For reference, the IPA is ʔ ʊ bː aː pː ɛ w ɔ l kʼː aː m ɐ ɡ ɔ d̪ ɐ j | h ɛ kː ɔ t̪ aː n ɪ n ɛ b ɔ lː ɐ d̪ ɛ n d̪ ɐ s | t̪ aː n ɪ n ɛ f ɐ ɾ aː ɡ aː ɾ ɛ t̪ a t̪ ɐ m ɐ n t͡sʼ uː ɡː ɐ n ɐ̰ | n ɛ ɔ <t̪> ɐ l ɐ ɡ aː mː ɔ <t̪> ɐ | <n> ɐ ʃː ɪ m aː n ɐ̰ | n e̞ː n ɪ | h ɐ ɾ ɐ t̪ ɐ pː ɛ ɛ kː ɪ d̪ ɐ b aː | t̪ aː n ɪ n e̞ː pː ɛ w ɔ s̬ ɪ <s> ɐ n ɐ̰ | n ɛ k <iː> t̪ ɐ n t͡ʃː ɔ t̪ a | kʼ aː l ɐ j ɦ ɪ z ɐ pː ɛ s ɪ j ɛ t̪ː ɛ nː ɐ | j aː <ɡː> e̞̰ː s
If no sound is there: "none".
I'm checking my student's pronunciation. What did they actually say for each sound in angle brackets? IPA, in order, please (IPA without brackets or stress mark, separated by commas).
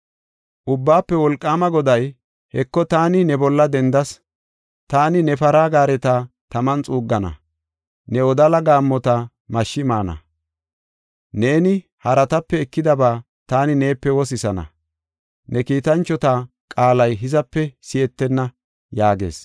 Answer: d̪, t̪, m, s, iː, ɡ